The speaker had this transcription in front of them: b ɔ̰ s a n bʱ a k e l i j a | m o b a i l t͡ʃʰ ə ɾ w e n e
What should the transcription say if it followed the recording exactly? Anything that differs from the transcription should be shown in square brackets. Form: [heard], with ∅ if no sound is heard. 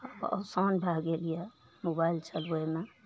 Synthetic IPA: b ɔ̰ s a n bʱ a [ɡ] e l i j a | m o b a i l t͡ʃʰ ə [l] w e [m] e